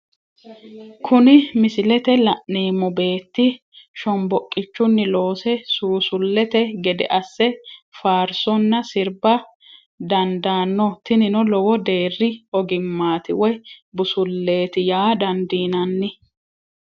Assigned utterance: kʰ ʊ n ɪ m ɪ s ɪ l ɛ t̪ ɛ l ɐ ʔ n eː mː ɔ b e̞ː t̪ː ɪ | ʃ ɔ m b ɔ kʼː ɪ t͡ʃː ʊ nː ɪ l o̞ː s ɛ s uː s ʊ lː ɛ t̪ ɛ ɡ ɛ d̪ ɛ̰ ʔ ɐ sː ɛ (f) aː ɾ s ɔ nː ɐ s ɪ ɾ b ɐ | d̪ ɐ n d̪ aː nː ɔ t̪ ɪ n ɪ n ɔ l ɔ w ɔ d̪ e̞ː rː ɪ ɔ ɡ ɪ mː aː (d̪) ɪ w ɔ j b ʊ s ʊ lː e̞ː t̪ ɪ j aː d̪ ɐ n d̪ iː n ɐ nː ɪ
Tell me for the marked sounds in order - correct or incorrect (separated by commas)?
correct, incorrect